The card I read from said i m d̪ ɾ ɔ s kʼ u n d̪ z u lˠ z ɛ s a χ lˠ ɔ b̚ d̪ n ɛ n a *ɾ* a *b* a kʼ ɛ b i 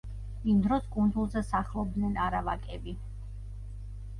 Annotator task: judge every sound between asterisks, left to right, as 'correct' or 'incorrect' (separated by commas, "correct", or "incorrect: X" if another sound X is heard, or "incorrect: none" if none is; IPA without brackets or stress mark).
correct, incorrect: v